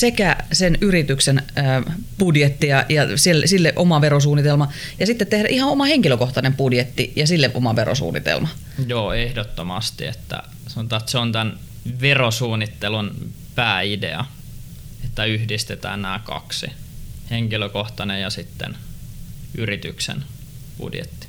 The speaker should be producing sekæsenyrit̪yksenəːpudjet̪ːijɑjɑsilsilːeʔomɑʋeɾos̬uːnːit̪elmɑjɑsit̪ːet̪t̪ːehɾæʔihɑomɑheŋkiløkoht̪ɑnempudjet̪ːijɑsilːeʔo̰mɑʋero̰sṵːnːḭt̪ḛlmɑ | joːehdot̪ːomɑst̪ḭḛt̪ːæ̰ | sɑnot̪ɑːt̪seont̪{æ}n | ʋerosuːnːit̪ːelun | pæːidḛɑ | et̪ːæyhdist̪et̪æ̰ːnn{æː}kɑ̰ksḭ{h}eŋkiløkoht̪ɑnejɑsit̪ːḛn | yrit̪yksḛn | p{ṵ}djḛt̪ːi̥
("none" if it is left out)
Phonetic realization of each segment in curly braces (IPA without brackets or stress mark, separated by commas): æ, æː, h, ṵ